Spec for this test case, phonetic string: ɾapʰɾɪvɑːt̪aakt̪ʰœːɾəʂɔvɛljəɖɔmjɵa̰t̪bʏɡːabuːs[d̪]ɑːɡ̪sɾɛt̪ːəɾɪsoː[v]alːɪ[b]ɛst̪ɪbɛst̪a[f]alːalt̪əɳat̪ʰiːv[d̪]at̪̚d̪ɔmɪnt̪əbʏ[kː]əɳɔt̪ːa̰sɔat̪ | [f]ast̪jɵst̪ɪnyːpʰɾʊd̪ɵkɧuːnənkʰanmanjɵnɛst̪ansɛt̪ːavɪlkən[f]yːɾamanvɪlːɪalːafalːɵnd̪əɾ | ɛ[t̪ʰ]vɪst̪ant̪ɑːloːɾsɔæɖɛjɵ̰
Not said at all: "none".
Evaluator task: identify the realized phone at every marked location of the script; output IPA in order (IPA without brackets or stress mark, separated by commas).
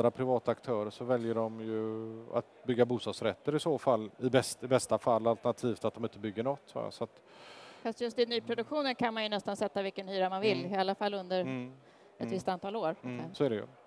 t̪, f, b, f, t̪, ɡː, f, h, t̪